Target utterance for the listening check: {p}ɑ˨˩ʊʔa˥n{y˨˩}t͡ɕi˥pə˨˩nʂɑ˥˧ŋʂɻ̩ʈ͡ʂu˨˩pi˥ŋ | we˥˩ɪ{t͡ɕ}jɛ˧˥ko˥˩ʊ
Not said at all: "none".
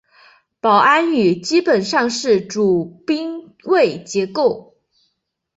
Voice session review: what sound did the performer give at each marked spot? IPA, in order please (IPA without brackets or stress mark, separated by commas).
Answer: p, y˨˩, t͡ɕ